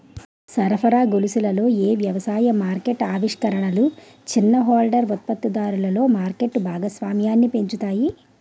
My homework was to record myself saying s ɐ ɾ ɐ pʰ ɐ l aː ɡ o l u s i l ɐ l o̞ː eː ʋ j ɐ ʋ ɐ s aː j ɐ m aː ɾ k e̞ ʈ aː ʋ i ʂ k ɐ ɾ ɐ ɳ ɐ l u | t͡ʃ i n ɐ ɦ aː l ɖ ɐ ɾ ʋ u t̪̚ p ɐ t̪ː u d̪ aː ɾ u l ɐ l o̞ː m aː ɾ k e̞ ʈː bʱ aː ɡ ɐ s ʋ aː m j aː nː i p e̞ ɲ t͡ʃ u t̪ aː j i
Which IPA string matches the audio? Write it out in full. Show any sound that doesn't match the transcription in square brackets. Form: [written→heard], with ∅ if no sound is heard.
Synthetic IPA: s ɐ ɾ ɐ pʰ ɐ [l→ɾ] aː ɡ o l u s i l ɐ l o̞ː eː ʋ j ɐ ʋ ɐ s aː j ɐ m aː ɾ k e̞ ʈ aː ʋ i ʂ k ɐ ɾ ɐ ɳ ɐ l u | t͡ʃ i [n→nː] ɐ ɦ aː l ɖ ɐ ɾ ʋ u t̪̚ p ɐ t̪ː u d̪ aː ɾ u l ɐ l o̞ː m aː ɾ k e̞ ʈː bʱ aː ɡ ɐ s ʋ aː m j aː nː i p e̞ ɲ t͡ʃ u t̪ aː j i